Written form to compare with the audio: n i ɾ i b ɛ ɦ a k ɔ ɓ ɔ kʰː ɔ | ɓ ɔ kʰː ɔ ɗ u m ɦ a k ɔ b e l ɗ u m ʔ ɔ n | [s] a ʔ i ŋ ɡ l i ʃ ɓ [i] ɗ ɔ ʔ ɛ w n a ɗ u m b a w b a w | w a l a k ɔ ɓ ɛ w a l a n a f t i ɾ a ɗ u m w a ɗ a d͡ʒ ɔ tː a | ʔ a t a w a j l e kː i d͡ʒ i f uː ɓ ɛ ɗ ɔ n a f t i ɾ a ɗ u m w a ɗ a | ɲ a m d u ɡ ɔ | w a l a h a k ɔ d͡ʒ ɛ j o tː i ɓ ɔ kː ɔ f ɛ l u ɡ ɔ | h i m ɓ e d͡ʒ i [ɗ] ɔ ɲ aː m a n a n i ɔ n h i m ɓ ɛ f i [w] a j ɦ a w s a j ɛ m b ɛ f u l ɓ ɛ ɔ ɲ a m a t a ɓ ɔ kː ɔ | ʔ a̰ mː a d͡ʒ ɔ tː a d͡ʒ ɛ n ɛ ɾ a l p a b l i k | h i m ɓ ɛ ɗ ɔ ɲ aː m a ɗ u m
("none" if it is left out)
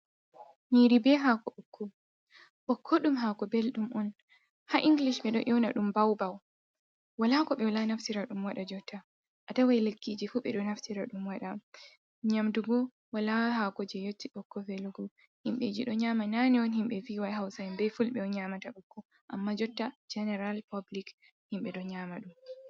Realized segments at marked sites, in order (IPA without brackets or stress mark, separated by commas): h, ɛ, ɗ, w